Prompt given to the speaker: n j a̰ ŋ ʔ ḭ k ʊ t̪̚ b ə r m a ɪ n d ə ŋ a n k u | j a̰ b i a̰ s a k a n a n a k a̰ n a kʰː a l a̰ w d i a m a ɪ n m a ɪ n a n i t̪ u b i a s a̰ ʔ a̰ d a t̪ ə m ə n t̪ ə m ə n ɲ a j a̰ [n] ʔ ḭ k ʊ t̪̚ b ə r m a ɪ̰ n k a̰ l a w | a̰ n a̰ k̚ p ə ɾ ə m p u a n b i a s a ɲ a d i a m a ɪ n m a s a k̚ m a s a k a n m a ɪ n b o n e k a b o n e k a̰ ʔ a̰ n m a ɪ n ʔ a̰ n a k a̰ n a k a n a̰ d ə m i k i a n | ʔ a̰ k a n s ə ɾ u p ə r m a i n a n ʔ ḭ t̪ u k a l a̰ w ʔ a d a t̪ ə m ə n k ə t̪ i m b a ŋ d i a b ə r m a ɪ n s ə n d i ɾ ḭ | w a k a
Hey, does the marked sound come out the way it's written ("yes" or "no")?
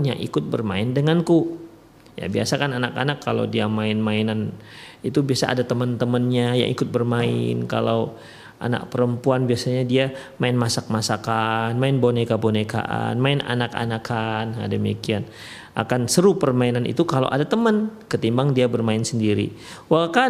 no